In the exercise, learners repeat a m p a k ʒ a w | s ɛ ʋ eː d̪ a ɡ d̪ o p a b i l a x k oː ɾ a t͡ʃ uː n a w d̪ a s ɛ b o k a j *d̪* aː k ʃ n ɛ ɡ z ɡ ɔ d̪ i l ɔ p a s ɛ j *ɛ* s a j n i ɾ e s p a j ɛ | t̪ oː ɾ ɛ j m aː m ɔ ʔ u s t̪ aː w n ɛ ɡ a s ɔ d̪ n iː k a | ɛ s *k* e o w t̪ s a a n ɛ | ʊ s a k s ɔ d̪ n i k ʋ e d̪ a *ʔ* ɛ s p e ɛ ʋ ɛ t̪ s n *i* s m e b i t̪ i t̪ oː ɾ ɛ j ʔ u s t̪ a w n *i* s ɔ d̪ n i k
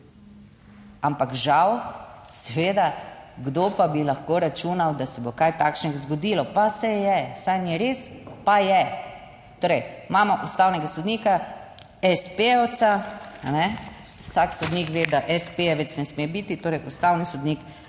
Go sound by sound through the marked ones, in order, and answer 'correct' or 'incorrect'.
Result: incorrect: t̪, correct, incorrect: p, correct, incorrect: ɛ, correct

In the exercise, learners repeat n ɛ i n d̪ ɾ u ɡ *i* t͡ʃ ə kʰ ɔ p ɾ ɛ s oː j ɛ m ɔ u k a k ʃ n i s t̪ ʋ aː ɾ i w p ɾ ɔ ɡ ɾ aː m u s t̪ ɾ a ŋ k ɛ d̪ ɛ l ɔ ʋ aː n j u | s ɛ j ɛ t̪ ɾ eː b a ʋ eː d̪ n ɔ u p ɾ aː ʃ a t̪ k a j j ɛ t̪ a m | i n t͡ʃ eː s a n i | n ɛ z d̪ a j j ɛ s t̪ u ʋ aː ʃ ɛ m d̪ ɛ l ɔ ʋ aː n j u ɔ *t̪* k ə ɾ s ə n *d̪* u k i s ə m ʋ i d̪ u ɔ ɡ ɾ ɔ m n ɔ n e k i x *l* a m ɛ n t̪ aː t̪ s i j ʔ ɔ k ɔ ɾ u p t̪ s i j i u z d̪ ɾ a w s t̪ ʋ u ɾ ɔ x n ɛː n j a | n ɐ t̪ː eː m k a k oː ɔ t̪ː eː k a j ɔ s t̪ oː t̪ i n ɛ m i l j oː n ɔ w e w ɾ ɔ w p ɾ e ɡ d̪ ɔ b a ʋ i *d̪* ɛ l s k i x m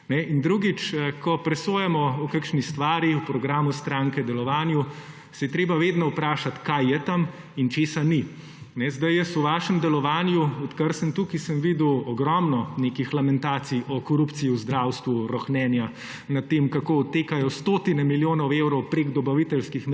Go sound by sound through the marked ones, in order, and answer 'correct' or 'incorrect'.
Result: correct, correct, incorrect: t̪, correct, incorrect: t̪

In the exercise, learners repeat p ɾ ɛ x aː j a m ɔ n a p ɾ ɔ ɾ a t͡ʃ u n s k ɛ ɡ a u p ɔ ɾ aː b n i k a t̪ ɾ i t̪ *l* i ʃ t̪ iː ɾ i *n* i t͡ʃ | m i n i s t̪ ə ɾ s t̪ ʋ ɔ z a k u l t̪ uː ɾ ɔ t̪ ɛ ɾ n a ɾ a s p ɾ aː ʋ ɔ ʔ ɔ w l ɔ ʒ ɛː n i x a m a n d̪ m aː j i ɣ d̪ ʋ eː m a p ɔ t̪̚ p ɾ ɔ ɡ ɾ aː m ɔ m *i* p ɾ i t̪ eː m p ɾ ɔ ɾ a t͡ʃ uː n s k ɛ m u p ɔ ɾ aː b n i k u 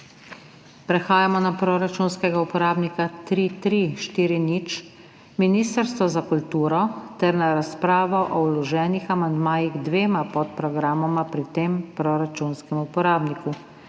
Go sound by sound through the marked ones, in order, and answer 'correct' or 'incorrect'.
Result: incorrect: ɾ, correct, incorrect: a

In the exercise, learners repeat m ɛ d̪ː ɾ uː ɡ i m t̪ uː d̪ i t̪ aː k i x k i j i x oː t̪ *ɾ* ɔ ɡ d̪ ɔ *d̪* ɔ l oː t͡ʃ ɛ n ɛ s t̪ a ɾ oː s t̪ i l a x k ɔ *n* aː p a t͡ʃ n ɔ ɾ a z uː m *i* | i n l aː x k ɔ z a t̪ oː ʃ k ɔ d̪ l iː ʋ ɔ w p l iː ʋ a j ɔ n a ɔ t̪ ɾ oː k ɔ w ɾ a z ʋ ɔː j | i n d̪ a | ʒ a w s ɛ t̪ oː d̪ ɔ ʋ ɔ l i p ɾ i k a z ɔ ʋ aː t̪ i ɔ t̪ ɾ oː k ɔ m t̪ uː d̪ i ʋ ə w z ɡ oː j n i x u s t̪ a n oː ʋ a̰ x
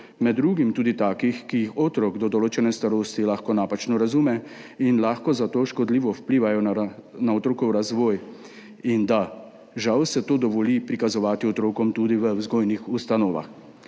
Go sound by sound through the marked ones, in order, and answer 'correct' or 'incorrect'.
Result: correct, correct, correct, incorrect: ɛ

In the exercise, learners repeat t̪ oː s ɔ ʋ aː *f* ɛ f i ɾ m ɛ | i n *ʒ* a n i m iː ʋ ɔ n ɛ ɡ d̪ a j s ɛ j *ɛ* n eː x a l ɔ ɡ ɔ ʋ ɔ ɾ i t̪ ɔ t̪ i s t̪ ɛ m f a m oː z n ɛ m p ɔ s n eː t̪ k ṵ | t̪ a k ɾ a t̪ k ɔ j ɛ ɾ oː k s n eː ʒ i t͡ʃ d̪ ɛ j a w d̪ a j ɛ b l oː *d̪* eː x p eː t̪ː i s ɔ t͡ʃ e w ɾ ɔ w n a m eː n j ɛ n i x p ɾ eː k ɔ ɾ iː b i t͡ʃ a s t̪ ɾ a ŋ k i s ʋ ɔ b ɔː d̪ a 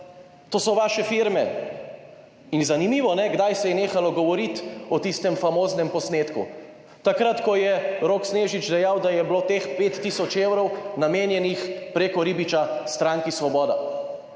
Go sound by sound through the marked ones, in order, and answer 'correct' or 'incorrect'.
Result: incorrect: ʃ, incorrect: z, correct, incorrect: t̪

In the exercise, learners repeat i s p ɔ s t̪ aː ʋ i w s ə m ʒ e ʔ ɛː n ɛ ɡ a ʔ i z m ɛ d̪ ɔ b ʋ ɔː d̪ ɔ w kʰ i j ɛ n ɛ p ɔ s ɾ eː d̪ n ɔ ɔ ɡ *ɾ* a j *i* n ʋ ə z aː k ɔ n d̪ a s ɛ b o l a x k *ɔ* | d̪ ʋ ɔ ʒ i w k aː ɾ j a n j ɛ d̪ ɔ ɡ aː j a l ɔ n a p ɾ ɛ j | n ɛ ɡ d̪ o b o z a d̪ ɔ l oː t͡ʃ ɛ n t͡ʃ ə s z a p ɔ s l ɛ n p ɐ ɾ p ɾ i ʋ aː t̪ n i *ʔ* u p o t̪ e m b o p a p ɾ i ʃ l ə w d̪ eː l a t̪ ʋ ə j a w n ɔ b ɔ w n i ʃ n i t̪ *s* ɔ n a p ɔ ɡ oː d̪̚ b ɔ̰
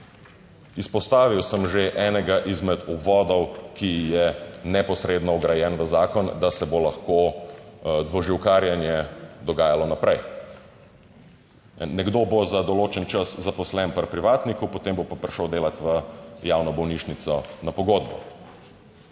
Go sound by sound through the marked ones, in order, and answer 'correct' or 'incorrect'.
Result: correct, incorrect: ɛ, incorrect: o, incorrect: k, correct

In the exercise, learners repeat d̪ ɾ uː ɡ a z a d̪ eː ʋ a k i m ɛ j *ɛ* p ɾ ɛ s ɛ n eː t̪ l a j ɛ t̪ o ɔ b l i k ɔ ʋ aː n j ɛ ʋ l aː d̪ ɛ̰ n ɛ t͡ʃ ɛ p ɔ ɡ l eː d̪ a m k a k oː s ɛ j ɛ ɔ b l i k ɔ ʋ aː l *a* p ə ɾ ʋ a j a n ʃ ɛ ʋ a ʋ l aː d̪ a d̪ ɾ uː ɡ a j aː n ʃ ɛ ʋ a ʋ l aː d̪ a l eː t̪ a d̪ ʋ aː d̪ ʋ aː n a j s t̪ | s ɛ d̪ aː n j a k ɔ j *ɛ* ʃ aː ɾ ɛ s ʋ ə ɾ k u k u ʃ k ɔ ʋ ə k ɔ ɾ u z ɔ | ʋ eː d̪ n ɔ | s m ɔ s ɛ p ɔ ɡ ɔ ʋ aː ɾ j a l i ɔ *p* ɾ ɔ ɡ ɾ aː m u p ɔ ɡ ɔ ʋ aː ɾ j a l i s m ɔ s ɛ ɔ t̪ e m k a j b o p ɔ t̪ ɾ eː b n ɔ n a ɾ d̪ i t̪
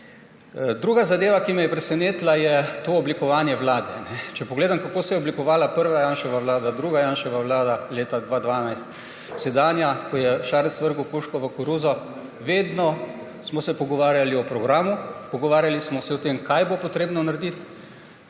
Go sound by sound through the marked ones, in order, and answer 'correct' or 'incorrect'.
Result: correct, correct, correct, correct

